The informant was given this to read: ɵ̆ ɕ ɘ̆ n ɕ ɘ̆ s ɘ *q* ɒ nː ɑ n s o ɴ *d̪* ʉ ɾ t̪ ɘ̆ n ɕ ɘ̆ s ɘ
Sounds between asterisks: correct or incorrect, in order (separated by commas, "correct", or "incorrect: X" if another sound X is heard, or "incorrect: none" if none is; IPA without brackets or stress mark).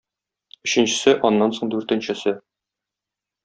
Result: incorrect: ʔ, correct